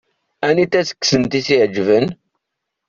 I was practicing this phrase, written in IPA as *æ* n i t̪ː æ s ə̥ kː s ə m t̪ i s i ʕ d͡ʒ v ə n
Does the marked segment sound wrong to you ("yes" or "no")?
no